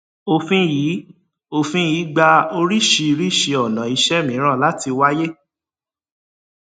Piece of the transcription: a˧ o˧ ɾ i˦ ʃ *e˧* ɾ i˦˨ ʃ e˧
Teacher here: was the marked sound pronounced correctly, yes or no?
no